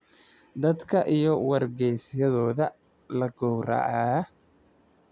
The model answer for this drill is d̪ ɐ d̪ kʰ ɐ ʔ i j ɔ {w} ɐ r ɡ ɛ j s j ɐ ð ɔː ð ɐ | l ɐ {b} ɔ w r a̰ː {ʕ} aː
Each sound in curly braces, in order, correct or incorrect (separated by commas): correct, incorrect, correct